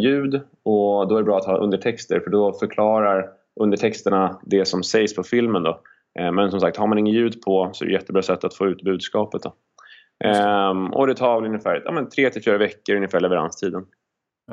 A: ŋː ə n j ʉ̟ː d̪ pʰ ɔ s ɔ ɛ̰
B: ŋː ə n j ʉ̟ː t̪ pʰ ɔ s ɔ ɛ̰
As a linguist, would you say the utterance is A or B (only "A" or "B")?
A